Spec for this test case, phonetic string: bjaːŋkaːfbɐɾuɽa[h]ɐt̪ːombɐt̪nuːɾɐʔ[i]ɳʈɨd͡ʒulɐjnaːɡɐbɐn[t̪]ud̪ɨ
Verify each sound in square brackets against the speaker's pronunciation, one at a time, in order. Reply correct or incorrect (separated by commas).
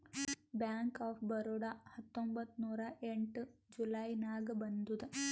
correct, incorrect, incorrect